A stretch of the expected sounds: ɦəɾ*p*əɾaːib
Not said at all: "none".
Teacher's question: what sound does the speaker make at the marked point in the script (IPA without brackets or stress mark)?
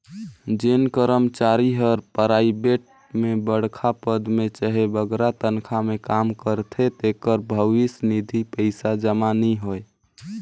p